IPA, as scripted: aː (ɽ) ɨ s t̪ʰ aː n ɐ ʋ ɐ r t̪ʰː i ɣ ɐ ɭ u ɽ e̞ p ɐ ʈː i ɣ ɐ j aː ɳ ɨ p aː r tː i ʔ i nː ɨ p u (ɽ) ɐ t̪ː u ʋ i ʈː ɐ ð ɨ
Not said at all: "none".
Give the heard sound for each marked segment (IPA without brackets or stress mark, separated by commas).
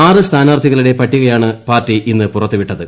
r, r